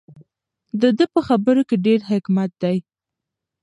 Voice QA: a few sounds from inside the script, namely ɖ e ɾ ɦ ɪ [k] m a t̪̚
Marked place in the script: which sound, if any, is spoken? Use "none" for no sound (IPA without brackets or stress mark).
k